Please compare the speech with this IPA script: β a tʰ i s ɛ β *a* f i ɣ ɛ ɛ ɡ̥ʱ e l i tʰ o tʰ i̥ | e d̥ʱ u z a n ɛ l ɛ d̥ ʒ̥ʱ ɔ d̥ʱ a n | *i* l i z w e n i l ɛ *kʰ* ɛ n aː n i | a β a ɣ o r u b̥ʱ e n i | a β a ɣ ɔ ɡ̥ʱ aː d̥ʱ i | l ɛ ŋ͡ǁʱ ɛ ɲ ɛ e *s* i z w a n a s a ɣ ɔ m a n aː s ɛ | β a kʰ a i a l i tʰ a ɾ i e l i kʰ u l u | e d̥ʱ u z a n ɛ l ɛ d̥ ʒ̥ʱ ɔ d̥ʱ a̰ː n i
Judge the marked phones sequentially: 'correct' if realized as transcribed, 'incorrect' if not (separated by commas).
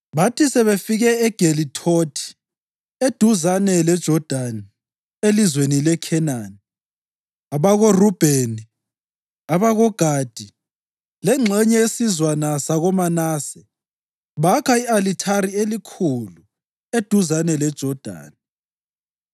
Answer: incorrect, incorrect, correct, correct